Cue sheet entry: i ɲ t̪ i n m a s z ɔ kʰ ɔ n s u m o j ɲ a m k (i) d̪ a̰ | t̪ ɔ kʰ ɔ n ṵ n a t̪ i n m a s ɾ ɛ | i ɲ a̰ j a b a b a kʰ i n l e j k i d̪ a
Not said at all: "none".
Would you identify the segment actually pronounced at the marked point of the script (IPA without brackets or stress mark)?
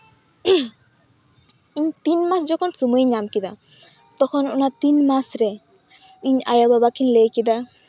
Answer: i